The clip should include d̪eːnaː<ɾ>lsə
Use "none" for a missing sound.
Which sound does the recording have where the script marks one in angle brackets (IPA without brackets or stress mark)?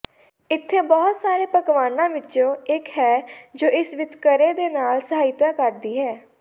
none